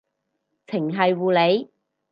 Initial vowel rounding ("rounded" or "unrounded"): unrounded